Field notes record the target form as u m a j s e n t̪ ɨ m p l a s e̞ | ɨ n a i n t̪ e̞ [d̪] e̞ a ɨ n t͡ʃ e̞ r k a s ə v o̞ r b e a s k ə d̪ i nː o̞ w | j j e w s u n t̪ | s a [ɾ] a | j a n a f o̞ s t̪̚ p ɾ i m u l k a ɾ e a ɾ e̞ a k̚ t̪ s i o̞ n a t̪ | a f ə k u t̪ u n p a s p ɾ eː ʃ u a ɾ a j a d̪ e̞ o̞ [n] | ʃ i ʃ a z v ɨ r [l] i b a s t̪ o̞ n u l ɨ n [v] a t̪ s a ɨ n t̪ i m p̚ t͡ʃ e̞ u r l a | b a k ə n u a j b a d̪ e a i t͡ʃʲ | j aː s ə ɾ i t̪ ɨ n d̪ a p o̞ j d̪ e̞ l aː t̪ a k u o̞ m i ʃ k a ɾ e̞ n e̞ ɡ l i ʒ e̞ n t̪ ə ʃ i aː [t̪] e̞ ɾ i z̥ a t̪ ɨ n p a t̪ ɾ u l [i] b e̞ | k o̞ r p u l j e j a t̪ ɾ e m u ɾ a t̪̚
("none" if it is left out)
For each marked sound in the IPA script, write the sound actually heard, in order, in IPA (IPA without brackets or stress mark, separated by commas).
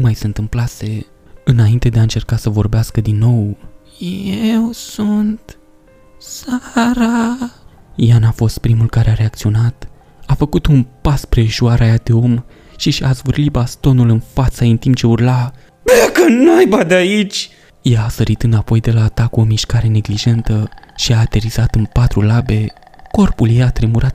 d̪, ɾ, m, l, f, t̪, a